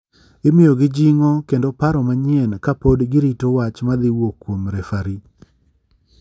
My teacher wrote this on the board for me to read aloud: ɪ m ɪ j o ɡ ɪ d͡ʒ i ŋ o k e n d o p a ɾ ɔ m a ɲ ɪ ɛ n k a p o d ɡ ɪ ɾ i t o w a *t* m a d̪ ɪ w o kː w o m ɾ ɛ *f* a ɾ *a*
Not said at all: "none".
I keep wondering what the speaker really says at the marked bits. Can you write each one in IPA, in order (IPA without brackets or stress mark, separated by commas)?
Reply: t͡ʃ, f, i